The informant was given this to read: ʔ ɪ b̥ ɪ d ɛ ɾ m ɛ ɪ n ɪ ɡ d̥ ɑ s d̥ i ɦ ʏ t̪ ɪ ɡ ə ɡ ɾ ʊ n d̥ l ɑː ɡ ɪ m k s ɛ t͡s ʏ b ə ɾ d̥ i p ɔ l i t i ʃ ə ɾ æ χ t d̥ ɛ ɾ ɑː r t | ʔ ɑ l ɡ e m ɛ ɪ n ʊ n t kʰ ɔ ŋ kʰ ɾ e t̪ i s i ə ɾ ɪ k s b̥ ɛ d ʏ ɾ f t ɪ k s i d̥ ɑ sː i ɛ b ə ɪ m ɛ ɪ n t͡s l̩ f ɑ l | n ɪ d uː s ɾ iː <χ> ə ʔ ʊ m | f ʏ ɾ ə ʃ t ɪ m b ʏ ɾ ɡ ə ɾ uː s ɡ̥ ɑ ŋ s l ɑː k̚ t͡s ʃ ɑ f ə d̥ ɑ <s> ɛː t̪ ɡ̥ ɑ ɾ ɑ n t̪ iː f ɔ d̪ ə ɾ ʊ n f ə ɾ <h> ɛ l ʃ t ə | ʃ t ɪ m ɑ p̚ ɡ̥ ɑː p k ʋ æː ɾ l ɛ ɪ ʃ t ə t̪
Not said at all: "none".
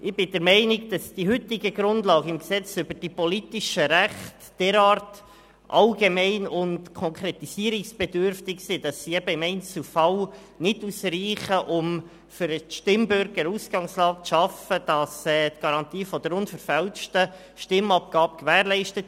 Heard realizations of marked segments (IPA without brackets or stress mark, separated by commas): χ, s, f